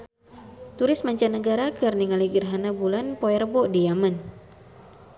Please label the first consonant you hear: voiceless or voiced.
voiceless